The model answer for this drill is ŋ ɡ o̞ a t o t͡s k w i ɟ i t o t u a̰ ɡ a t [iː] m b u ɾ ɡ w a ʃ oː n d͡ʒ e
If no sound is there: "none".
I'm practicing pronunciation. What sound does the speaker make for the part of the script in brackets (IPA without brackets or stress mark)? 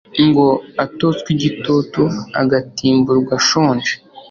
iː